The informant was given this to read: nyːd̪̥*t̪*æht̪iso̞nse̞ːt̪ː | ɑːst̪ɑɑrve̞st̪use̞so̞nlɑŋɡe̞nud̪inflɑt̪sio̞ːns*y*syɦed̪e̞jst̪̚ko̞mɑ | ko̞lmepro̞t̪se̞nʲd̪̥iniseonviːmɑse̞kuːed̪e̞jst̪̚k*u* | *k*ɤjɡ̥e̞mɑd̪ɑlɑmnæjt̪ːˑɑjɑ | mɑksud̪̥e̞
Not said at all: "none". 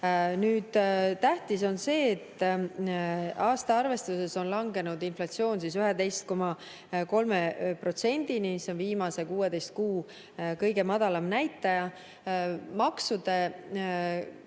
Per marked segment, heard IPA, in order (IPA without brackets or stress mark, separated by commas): t̪, i, uː, k